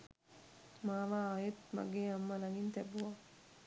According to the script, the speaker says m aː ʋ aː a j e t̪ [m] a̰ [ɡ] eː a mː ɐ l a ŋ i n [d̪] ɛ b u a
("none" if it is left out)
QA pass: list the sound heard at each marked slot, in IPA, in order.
m, ɡ, t̪

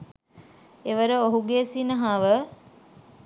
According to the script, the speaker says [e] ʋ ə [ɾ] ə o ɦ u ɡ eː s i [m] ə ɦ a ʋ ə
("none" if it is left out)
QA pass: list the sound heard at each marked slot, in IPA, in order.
e, ɾ, n

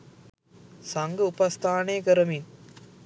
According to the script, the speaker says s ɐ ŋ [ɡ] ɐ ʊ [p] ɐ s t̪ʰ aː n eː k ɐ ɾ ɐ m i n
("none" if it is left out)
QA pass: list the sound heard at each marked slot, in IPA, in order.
ɡ, p

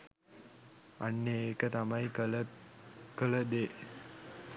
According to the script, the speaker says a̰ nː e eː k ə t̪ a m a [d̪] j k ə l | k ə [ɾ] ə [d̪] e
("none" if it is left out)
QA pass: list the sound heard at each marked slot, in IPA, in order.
none, l, d̪

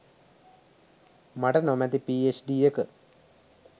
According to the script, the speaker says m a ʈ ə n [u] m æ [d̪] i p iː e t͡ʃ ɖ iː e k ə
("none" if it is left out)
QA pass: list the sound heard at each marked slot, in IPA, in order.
o, t̪

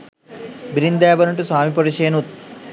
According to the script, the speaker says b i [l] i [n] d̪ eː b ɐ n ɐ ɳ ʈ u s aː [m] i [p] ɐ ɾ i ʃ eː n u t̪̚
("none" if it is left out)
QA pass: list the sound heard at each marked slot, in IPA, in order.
ɾ, n, m, p

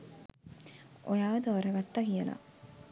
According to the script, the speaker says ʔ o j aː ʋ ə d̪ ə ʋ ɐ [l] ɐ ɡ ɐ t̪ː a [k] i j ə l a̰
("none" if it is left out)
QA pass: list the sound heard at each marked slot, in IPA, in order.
ɾ, k

